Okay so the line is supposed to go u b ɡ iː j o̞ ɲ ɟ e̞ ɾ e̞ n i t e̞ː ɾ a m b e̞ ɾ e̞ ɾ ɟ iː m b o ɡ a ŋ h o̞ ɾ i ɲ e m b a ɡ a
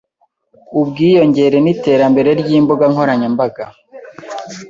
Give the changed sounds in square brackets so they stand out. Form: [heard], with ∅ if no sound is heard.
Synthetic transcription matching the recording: u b ɡ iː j o̞ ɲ ɟ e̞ ɾ e̞ n i t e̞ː ɾ a m b e̞ ɾ e̞ ɾ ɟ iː m b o ɡ a ŋ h o̞ ɾ [a] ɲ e m b a ɡ a